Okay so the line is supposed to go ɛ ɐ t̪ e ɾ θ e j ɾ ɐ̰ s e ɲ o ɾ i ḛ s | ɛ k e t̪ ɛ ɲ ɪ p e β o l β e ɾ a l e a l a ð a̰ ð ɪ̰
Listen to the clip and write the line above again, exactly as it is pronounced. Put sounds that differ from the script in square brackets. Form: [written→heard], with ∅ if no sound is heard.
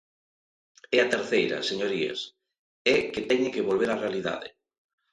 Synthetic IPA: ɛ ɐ t̪ e ɾ θ e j ɾ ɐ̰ s e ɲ o ɾ i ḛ s | ɛ k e t̪ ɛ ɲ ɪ [p→k] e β o l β e ɾ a [l→r] e a l [a→i] ð a̰ ð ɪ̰

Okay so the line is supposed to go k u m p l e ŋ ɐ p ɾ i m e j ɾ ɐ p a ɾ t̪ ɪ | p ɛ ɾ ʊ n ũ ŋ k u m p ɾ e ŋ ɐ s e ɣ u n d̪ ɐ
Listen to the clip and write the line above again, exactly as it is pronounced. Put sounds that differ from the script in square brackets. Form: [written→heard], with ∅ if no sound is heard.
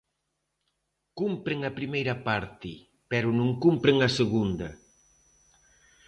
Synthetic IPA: k u m p [l→ɾ] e ŋ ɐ p ɾ i m e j ɾ ɐ p a ɾ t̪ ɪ | p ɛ ɾ ʊ n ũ ŋ k u m p ɾ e ŋ ɐ s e ɣ u n d̪ ɐ

